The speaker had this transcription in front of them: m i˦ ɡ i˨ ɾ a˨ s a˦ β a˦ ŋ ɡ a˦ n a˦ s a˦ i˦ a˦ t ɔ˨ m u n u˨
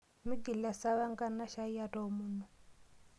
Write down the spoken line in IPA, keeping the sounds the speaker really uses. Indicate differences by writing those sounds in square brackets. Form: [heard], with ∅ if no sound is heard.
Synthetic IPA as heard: m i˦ ɡ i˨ [l] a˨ s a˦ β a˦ ŋ ɡ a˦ n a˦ [ʃ] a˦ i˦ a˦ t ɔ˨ m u n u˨